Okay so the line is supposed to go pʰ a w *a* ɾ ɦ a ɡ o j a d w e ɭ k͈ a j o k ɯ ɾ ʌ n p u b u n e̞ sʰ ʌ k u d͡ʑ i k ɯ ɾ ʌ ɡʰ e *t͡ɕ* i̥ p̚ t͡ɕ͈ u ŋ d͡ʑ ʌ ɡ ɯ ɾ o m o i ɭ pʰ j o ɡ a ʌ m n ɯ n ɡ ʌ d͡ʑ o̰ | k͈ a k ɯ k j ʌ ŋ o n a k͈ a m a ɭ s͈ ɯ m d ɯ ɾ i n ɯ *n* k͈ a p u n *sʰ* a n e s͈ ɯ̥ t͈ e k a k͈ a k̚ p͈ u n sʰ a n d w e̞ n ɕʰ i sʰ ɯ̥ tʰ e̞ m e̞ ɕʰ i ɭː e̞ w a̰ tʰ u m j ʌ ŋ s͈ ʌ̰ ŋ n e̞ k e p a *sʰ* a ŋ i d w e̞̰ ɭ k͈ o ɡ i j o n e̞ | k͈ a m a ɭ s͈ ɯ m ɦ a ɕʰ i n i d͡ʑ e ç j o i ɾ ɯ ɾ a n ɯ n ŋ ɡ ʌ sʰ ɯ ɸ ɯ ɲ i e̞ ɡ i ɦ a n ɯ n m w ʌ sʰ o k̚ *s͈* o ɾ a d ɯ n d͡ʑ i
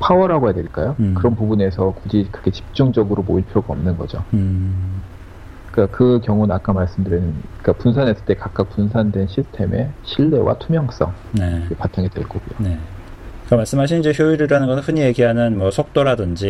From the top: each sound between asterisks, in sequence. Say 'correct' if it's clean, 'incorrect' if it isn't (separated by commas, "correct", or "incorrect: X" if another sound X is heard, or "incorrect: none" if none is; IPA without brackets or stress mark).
incorrect: ʌ, correct, correct, correct, incorrect: tʰ, incorrect: t͈